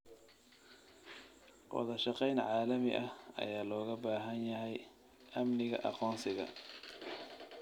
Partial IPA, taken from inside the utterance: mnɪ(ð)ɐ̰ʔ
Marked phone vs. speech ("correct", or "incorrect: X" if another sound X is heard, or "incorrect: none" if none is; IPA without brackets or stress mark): incorrect: ɣ